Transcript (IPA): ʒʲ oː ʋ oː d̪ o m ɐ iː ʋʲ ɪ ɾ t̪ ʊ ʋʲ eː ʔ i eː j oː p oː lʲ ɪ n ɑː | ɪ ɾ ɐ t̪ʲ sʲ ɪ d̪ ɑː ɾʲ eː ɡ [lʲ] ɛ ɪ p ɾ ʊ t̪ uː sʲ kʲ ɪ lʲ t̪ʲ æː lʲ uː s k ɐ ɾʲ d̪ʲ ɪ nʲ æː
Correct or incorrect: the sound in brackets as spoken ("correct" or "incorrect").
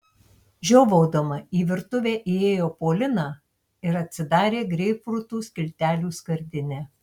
incorrect